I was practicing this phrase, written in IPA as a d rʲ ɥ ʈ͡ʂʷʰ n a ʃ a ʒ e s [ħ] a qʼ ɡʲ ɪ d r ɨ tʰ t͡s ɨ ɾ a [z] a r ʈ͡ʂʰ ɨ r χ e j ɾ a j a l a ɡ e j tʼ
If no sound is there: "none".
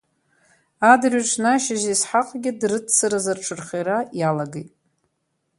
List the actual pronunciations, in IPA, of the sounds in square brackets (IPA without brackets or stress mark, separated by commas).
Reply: ħ, z